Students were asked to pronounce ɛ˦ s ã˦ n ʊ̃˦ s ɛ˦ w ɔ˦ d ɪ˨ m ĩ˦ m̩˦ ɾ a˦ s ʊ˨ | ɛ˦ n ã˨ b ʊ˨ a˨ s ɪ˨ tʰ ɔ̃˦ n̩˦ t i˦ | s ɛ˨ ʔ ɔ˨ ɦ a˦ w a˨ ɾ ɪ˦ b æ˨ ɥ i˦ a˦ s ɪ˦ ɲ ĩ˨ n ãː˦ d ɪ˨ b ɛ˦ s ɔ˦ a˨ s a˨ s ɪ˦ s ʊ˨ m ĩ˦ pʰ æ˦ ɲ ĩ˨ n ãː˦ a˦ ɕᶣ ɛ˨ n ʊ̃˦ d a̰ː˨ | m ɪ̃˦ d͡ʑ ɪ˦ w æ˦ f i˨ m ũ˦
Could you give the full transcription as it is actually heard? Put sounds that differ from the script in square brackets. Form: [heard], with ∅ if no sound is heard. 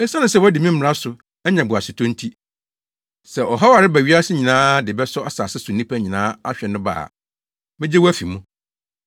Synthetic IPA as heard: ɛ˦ s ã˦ n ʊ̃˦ s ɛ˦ w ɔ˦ d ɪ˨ m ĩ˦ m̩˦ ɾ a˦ s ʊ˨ | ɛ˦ [ɲ] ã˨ b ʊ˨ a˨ s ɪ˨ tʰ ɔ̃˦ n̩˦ [tʰ] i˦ | s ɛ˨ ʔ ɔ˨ ɦ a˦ w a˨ ɾ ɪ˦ b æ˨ ɥ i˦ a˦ s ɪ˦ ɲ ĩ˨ n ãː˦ d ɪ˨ b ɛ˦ s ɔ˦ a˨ s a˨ s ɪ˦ s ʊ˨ [n] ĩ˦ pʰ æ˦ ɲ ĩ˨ n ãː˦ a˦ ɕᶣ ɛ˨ n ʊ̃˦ [b] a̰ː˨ | m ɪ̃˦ d͡ʑ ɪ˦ w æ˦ f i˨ m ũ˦